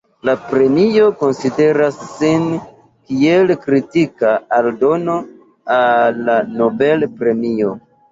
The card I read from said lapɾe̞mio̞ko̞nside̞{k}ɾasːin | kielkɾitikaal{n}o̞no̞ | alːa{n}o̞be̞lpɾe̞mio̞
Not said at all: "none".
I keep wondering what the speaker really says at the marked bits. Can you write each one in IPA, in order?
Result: none, d, n

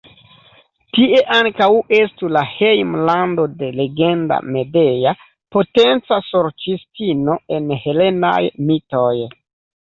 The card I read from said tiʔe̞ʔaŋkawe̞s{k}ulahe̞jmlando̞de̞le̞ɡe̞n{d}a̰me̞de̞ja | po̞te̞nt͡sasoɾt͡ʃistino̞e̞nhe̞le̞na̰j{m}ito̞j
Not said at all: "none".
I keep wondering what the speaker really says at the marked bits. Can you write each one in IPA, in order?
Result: t, d, m

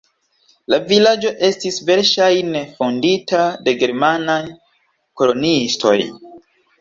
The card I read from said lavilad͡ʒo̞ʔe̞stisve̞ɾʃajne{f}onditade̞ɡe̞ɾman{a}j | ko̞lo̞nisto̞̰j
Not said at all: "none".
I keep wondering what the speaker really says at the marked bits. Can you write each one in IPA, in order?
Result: f, a

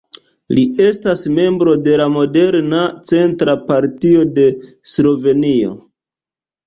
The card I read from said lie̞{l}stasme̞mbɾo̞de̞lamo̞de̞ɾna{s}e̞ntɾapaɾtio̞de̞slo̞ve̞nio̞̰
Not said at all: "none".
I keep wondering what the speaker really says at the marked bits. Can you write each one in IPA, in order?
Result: none, t͡s

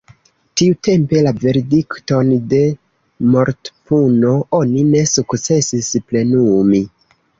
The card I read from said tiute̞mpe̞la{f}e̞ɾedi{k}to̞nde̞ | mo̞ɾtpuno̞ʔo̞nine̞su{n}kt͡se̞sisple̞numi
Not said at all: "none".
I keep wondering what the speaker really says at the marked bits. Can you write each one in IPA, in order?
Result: v, k, none

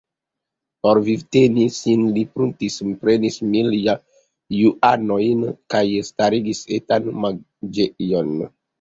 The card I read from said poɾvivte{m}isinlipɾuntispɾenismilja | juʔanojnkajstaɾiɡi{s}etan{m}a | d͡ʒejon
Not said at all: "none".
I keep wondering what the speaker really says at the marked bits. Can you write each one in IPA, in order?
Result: n, s, m

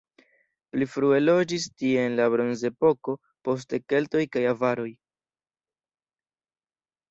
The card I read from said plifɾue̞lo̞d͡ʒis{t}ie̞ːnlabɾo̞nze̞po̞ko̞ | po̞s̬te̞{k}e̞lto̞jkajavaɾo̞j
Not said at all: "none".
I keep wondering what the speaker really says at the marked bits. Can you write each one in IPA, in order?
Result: t, k

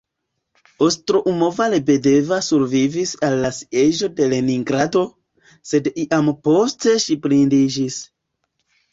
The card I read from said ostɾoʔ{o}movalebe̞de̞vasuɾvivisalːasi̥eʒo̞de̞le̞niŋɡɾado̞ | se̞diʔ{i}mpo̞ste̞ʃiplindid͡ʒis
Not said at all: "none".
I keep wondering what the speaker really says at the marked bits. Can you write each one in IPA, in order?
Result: u, a

